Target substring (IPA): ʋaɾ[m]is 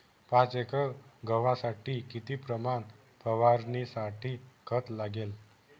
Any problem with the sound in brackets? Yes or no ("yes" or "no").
yes